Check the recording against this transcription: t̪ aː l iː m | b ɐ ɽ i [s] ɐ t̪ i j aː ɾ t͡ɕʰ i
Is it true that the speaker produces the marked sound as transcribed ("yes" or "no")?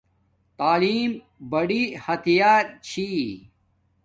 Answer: no